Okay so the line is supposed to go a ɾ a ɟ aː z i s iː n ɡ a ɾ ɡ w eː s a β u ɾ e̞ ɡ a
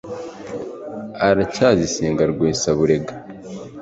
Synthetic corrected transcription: a ɾ a c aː z i s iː ŋ ɡ a ɾ ɡ w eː s a β u ɾ e̞ ɡ a